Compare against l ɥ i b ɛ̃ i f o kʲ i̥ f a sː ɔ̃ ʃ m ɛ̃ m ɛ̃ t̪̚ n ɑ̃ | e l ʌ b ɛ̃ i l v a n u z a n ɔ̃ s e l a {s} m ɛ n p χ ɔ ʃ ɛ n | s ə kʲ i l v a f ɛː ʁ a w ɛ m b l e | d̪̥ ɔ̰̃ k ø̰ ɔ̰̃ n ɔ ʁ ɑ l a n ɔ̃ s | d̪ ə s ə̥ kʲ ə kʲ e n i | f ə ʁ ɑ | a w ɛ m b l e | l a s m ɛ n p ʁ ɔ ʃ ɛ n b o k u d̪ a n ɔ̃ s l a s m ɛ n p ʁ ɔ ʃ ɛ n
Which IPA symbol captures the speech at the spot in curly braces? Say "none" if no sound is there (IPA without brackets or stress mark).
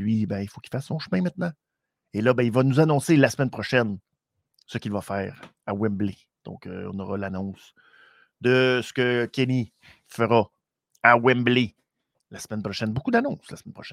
s